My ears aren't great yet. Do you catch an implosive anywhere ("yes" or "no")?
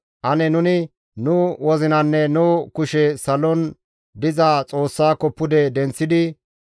no